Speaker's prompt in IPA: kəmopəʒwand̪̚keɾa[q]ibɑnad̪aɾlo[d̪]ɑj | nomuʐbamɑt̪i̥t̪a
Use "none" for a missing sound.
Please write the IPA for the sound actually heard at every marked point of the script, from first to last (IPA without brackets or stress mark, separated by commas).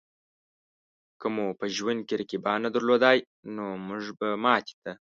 k, d̪